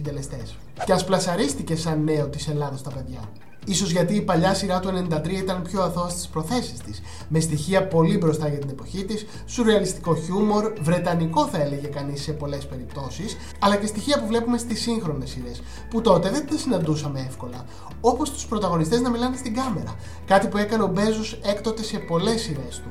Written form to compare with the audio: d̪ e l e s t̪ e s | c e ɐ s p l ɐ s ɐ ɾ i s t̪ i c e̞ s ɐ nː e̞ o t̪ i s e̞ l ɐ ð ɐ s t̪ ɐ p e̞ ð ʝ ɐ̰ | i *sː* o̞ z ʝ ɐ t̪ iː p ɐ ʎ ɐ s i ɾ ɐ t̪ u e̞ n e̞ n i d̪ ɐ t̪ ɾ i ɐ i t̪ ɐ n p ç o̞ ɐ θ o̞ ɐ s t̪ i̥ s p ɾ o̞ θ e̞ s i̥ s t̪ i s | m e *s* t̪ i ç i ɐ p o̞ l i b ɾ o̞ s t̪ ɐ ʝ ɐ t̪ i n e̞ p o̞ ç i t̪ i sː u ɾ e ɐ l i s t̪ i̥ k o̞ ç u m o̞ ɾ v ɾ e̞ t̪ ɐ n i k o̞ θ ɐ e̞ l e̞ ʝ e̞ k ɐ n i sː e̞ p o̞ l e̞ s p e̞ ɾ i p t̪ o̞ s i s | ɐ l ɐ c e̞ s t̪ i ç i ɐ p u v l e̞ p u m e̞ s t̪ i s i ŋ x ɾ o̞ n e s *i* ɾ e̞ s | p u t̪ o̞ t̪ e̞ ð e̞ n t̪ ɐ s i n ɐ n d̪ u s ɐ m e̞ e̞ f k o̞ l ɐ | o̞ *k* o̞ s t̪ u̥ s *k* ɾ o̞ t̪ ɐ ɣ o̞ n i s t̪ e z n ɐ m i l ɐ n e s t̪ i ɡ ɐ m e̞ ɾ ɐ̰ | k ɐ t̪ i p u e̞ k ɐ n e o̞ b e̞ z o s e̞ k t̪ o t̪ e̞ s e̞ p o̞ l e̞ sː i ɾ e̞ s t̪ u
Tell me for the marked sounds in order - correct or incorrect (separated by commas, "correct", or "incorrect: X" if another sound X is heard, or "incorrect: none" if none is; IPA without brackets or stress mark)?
incorrect: s, correct, correct, incorrect: p, incorrect: p